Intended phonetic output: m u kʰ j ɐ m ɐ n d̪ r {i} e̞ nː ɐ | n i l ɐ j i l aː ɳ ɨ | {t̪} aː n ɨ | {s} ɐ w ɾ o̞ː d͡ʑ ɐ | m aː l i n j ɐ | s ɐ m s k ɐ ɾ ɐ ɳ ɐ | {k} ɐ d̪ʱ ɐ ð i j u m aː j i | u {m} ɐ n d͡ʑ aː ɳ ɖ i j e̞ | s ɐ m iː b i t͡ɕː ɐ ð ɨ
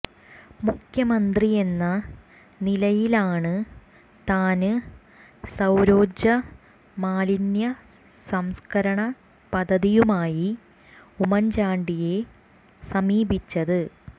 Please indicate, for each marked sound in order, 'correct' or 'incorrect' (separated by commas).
correct, correct, correct, incorrect, correct